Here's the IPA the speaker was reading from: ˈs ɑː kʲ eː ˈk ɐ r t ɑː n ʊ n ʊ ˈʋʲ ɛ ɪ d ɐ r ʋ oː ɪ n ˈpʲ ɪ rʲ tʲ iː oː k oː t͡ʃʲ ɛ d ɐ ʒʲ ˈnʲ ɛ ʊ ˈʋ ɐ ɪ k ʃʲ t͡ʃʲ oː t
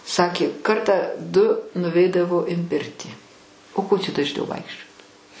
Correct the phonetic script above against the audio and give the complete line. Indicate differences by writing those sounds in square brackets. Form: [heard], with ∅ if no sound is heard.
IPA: ˈs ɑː kʲ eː ˈk ɐ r t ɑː [d] ʊ n ʊ ˈʋʲ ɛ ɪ d ɐ [∅] ʋ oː ɪ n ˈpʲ ɪ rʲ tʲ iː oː k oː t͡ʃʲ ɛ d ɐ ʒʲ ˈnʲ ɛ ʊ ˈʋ ɐ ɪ k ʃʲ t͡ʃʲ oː t